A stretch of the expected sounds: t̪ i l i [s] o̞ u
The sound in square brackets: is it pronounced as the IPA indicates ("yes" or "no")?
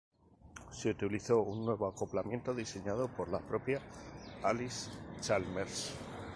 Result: no